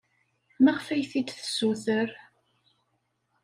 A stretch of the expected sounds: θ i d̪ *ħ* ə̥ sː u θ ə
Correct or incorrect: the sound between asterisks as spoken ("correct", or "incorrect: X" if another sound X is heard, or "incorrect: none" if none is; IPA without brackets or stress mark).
incorrect: θ